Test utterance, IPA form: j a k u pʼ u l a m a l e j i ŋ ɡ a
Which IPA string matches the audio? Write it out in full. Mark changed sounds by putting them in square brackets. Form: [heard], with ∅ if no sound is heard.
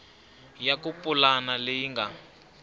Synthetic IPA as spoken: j a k u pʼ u l a [n] a l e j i ŋ ɡ a